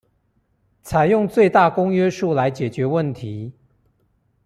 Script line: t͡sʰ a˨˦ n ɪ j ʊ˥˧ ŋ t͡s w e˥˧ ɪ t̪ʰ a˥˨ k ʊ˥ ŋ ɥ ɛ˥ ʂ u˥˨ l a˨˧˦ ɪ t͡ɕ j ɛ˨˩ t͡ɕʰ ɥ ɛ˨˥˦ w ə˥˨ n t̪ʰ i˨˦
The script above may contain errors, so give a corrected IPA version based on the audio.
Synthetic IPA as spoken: t͡sʰ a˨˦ ɪ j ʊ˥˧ ŋ t͡s w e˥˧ ɪ t̪ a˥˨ k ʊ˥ ŋ ɥ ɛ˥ ʂ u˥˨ l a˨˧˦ ɪ t͡ɕ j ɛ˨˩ t͡ɕ ɥ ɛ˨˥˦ w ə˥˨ n t̪ʰ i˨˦

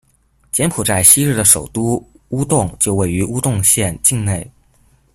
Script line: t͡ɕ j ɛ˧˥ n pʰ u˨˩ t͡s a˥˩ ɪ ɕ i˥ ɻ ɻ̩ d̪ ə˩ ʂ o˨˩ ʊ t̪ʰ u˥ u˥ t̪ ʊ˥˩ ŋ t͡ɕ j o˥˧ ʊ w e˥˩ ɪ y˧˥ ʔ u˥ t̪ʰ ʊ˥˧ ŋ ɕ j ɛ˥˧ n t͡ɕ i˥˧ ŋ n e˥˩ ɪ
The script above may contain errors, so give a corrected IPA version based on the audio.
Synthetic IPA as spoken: t͡ɕ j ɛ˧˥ n pʰ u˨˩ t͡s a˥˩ ɪ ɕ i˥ ɻ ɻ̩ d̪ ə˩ ʂ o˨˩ ʊ t̪ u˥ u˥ t̪ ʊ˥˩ ŋ t͡ɕ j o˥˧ ʊ w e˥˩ ɪ y˧˥ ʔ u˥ t̪ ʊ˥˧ ŋ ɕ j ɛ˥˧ n t͡ɕ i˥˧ ŋ n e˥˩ ɪ

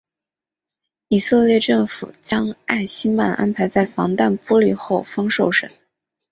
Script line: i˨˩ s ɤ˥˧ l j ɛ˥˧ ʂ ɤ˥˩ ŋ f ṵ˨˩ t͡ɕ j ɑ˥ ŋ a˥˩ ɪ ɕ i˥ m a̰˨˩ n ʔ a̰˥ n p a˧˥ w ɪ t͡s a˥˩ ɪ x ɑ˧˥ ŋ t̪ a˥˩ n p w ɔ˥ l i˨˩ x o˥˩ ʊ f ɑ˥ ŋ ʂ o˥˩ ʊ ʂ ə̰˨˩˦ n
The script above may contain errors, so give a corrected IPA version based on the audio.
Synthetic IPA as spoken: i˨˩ s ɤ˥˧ l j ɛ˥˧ ʈ͡ʂ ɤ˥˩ ŋ f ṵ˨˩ t͡ɕ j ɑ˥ ŋ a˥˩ ɪ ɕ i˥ m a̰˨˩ n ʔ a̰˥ n pʰ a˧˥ ɪ t͡s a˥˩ ɪ f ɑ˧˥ ŋ t̪ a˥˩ n p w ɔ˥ l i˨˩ x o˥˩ ʊ f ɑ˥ ŋ ʂ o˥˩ ʊ ʂ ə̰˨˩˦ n

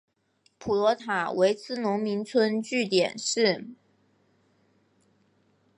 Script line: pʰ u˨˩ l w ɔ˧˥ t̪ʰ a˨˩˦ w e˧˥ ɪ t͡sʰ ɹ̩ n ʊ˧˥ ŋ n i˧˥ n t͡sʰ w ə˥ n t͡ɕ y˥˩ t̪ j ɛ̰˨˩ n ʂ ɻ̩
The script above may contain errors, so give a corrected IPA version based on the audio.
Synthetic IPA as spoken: pʰ u˨˩ l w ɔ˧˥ t̪ʰ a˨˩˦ w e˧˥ ɪ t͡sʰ ɹ̩ n ʊ˧˥ ŋ m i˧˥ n t͡sʰ w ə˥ n t͡ɕ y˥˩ t̪ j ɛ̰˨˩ n ʂ ɻ̩

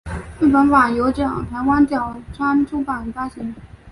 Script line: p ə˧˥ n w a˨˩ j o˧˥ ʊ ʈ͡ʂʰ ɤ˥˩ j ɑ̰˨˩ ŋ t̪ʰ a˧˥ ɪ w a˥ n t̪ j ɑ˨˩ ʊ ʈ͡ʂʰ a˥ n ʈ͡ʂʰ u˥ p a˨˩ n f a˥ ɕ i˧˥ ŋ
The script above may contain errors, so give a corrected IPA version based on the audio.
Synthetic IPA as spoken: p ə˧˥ n w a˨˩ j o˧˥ ʊ ʈ͡ʂ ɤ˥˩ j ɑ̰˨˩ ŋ t̪ʰ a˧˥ ɪ w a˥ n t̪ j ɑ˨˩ ʊ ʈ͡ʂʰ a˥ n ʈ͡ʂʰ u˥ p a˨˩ n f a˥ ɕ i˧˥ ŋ

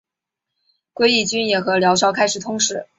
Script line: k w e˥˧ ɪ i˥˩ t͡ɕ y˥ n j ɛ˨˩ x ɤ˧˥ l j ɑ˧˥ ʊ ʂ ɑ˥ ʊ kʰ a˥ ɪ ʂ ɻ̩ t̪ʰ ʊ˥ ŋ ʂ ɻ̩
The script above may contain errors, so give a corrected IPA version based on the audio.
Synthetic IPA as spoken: k w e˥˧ ɪ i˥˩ t͡ɕ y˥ n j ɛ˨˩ x ɤ˧˥ l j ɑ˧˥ ʊ ʂ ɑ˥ ʊ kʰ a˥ ɪ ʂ ɻ̩ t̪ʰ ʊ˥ ŋ ʂ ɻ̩

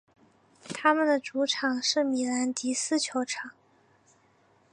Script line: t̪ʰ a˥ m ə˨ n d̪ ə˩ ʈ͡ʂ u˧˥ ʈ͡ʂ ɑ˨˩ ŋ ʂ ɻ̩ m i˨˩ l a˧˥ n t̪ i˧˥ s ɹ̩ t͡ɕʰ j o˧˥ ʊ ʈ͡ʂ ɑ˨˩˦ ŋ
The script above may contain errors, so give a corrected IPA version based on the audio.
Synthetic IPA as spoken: t̪ʰ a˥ m ə˨ n d̪ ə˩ ʈ͡ʂ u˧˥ ʈ͡ʂʰ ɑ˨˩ ŋ ʂ ɻ̩ m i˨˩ l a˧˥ n t̪ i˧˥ s ɹ̩ t͡ɕʰ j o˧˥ ʊ ʈ͡ʂʰ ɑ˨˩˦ ŋ

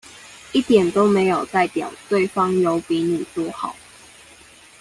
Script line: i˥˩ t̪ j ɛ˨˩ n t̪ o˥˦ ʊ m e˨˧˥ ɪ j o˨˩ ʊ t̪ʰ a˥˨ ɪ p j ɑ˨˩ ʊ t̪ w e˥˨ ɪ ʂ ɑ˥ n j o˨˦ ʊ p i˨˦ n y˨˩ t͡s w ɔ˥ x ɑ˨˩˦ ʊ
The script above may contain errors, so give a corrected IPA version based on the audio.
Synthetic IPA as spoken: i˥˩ t̪ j ɛ˨˩ n t̪ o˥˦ ʊ m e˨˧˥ ɪ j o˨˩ ʊ t̪ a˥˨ ɪ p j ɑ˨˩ ʊ t̪ w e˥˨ ɪ f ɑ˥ ŋ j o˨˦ ʊ p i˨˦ n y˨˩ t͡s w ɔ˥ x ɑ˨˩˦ ʊ

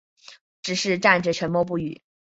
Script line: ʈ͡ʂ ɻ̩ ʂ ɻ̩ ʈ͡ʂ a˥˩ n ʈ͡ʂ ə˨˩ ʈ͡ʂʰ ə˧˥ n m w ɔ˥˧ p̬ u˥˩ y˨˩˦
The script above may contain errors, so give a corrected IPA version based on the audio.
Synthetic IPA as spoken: ʈ͡ʂ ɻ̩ ʂ ɻ̩ ʈ͡ʂ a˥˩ n ʈ͡ʂ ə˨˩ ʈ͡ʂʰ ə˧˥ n m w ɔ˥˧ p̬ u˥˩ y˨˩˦

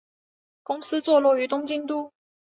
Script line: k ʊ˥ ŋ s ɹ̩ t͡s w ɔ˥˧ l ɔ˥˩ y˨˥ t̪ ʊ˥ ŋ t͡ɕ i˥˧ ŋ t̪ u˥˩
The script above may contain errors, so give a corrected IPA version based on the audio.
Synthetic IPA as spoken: k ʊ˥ ŋ s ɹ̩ t͡s w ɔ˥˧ l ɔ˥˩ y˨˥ t̪ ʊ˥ ŋ t͡ɕ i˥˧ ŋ t̪ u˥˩

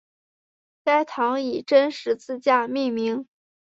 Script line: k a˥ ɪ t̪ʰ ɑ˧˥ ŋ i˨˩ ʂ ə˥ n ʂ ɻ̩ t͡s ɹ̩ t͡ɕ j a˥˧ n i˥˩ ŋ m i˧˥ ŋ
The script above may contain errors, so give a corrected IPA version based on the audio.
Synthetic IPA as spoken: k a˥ ɪ t̪ʰ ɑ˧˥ ŋ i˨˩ ʈ͡ʂ ə˥ n ʂ ɻ̩ t͡s ɹ̩ t͡ɕ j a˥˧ m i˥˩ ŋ m i˧˥ ŋ

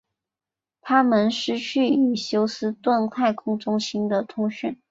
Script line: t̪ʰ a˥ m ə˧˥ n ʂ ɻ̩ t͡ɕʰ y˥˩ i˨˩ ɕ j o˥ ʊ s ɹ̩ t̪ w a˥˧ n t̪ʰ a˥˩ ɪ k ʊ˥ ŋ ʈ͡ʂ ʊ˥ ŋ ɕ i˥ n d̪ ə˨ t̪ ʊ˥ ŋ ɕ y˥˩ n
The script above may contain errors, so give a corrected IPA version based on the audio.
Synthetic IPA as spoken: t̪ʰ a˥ m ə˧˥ n ʂ ɻ̩ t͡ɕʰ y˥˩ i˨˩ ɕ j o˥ ʊ s ɹ̩ t̪ w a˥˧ n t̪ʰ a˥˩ ɪ kʰ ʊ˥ ŋ ʈ͡ʂ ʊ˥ ŋ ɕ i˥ n d̪ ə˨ t̪ʰ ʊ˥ ŋ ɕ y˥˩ n

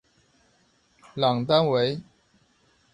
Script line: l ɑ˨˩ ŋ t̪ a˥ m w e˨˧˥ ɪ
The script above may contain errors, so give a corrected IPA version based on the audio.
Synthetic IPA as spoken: l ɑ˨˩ ŋ t̪ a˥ n w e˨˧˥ ɪ

